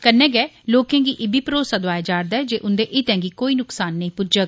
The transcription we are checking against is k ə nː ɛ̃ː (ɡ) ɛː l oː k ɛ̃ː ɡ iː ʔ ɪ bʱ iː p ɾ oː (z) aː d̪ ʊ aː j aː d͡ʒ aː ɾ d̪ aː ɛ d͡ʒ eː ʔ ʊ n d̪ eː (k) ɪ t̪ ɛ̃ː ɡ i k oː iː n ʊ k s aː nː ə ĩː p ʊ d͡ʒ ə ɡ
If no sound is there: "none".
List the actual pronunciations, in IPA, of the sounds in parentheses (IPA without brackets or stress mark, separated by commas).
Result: ɡ, s, ʔ